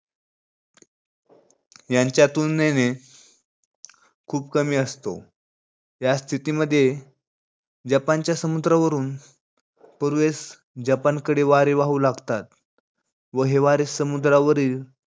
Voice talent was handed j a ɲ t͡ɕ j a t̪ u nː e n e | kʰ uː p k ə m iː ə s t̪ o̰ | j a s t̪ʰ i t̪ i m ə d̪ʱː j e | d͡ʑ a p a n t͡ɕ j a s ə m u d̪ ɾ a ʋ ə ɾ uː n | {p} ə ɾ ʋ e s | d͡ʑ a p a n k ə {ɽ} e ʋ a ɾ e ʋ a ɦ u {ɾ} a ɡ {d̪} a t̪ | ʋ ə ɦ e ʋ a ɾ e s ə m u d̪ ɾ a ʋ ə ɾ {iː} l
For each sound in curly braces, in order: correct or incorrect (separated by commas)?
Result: correct, correct, incorrect, incorrect, correct